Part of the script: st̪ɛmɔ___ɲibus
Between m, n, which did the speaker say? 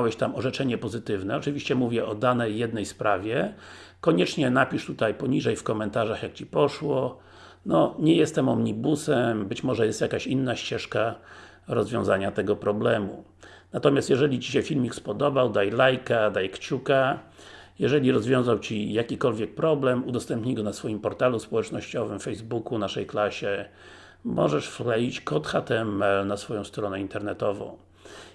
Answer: m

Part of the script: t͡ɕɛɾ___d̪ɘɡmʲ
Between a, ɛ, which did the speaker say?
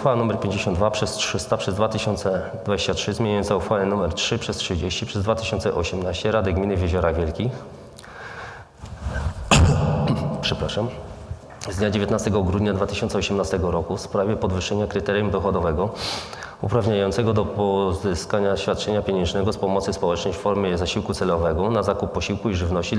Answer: a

